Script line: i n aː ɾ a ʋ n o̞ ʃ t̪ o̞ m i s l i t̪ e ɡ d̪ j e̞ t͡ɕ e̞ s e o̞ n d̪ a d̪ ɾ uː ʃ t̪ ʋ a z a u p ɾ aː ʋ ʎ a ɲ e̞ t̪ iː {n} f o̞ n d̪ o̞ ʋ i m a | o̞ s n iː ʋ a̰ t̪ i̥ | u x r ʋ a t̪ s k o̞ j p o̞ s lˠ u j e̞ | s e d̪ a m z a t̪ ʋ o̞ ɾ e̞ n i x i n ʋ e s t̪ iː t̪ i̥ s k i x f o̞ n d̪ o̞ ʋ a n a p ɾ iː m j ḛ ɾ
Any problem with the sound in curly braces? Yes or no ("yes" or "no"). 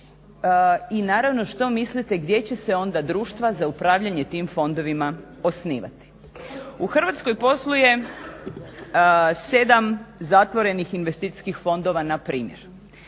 yes